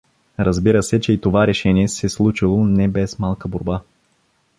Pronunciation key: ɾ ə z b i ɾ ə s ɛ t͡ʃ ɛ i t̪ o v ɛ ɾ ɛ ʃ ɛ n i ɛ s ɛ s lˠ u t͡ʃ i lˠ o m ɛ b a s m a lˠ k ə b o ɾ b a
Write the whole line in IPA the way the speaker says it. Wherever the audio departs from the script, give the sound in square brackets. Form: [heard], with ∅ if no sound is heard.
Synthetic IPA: ɾ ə z b i ɾ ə s ɛ t͡ʃ ɛ i t̪ o v [a] ɾ ɛ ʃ ɛ n i ɛ s ɛ s lˠ u t͡ʃ i lˠ o [n] ɛ b [ɛ] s m a lˠ k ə b o ɾ b a